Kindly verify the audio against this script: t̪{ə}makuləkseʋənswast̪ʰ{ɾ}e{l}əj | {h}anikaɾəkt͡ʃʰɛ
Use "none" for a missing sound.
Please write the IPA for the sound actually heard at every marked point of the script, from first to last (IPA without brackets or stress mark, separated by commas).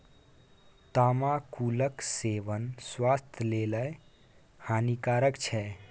a, l, l, h